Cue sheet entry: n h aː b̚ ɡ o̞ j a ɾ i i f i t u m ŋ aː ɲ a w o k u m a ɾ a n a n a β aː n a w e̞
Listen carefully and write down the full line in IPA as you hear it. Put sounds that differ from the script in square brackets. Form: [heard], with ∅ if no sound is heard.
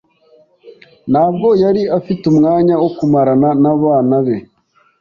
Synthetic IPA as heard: n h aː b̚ ɡ o̞ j a ɾ i [a] f i t u m ŋ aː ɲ a w o k u m a ɾ a n a n a β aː n a [β] e̞

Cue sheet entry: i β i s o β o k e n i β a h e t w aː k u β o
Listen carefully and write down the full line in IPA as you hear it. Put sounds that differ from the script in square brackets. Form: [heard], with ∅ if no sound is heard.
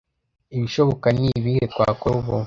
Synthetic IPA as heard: i β i [ʃ] o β o k [a] n i β [i] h e [k] w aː k [o] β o

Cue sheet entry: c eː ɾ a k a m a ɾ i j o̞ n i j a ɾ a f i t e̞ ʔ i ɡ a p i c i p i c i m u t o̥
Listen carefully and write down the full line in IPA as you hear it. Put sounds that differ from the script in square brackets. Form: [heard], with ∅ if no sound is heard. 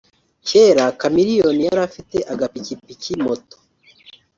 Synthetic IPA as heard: c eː ɾ a k a m [i] ɾ i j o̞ n i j a ɾ a f i t e̞ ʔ [a] ɡ a p i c i p i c i m [o] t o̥

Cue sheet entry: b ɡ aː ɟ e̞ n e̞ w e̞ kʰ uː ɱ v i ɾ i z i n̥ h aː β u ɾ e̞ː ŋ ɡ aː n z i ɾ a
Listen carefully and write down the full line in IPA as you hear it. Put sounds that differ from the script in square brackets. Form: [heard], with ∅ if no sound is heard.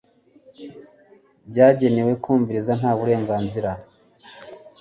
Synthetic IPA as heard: b [ɟ] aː ɟ e̞ n e̞ w e̞ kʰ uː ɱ v i ɾ i z [a] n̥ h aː β u ɾ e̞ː ŋ ɡ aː n z i ɾ a

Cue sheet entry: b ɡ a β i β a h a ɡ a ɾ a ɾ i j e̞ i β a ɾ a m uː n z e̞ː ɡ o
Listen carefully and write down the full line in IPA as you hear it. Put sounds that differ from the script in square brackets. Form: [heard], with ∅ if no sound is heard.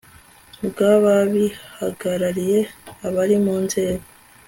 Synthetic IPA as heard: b ɡ a β [a] β [i] h a ɡ a ɾ a ɾ i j e̞ [a] β a ɾ [i] m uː n z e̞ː ɡ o

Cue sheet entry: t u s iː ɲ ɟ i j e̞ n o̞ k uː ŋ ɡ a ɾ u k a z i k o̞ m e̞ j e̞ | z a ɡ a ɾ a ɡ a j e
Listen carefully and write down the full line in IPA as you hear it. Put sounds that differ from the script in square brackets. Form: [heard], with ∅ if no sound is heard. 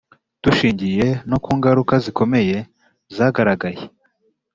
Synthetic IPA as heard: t u [ʃ] iː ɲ ɟ i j e̞ n o̞ k uː ŋ ɡ a ɾ u k a z i k o̞ m e̞ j e̞ | z a ɡ a ɾ a ɡ a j e

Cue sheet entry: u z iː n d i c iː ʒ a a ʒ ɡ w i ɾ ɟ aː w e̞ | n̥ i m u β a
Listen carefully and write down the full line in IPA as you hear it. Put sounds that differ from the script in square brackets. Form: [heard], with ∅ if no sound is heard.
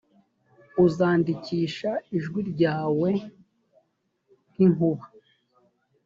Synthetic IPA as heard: u z [aː] n d i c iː [ʃ] a [i] ʒ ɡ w i ɾ ɟ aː w e̞ | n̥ i [ŋ] u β a

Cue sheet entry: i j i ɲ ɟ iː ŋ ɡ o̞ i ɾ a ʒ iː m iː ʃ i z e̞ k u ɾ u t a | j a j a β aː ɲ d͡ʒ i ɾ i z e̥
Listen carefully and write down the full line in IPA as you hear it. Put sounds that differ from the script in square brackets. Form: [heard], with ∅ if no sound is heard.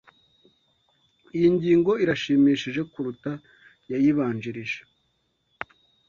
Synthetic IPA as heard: i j i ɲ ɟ iː ŋ ɡ o̞ i ɾ a [ʃ] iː m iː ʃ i [ʒ] e̞ k u ɾ u t a | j a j [i] β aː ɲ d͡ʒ i ɾ i [ʒ] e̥

